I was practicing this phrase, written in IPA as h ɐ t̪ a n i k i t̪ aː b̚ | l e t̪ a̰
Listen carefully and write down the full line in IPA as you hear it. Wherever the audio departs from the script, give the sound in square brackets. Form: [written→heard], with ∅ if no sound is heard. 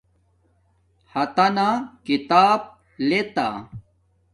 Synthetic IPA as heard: h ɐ t̪ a n [i→a] k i t̪ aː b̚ | l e t̪ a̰